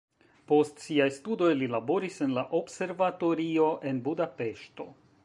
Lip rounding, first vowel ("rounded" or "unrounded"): rounded